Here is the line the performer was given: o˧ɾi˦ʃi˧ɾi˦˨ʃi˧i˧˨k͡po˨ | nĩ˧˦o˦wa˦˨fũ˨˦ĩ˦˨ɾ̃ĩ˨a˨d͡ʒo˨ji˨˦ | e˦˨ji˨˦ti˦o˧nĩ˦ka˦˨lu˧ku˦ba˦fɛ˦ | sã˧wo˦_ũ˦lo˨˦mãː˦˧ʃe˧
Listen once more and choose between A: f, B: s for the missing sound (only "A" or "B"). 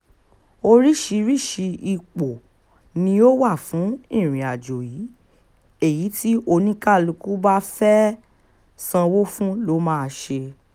A